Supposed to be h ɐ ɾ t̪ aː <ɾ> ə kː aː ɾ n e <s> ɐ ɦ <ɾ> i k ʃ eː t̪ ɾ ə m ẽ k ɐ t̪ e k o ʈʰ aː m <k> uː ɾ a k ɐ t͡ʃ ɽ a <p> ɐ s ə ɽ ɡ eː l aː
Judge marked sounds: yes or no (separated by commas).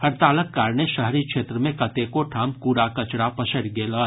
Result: no, no, yes, yes, yes